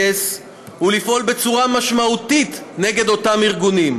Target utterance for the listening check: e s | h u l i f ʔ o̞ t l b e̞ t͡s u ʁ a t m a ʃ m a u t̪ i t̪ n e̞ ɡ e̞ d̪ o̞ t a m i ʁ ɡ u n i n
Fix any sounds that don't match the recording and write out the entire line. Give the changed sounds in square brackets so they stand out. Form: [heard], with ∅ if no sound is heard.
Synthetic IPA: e s | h u l i f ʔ o̞ [∅] l b e̞ t͡s u ʁ a [∅] m a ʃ m a u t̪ i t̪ n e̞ ɡ e̞ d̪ o̞ t a m i ʁ ɡ u n i [m]